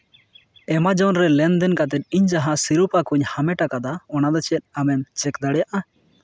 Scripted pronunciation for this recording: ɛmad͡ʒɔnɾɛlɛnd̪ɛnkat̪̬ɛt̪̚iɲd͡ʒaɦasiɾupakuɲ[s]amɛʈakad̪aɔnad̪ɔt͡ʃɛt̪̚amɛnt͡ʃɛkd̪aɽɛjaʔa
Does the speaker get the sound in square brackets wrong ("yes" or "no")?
yes